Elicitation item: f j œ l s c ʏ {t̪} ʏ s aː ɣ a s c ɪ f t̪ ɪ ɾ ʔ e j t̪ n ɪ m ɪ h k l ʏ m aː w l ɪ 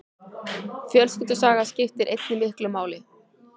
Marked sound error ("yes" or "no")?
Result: no